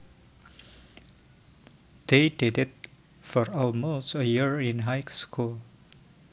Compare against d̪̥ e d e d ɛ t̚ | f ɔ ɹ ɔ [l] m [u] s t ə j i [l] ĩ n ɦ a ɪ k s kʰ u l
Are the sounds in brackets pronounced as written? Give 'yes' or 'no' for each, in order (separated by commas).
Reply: yes, no, no